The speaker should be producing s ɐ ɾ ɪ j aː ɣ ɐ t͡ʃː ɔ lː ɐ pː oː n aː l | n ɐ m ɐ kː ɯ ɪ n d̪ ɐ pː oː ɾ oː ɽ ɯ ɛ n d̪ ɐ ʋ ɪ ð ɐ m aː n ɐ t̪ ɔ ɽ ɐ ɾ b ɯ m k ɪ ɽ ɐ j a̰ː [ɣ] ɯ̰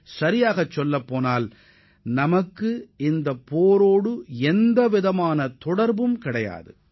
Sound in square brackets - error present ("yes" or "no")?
yes